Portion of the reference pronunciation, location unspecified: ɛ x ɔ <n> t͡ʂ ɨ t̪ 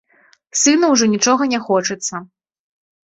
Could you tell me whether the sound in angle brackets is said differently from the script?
yes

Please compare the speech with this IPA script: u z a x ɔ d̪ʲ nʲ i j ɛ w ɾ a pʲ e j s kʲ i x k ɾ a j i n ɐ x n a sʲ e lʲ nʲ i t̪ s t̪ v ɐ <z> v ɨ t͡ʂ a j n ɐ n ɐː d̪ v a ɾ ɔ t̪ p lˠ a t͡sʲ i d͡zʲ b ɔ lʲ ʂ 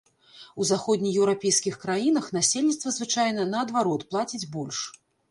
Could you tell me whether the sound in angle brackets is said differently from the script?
no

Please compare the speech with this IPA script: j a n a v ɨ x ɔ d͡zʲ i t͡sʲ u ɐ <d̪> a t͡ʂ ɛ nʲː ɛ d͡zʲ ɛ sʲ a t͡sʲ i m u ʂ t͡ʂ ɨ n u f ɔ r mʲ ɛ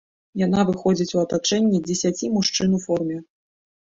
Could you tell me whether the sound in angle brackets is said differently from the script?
yes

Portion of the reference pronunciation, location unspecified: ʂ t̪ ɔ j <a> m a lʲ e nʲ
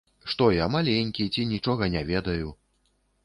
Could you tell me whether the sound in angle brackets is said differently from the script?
no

